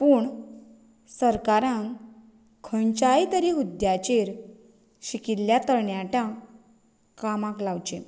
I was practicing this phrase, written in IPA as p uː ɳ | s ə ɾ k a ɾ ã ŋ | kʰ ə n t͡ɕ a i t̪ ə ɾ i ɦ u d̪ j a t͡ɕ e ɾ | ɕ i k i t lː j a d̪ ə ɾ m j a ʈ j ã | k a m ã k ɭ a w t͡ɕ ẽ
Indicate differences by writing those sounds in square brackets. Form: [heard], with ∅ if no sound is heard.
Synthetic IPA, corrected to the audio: p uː ɳ | s ə ɾ k a ɾ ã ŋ | kʰ ə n t͡ɕ a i t̪ ə ɾ i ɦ u d̪ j a t͡ɕ e ɾ | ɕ i k i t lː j a [t̪] ə ɾ [ɳ] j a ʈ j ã | k a m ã k [l] a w t͡ɕ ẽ